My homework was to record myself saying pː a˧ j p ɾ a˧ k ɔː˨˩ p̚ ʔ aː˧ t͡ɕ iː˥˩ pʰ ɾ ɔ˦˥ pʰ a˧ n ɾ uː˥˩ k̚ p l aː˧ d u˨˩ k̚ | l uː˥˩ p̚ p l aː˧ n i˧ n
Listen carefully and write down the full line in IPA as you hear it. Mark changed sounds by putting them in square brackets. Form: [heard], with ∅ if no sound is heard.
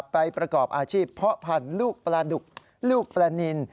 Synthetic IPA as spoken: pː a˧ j p ɾ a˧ k ɔː˨˩ p̚ ʔ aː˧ [t͡ɕʰ] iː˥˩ pʰ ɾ ɔ˦˥ pʰ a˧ n [l] uː˥˩ k̚ p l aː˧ d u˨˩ k̚ | l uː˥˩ [k̚] p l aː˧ n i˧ n